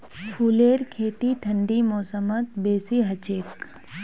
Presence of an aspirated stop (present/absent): present